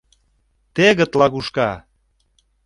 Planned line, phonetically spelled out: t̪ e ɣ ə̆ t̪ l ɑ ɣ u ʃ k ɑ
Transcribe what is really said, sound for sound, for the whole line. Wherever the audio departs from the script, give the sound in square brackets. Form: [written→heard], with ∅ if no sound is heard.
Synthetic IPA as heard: t̪ e ɣ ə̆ t̪ l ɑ ɣ u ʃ k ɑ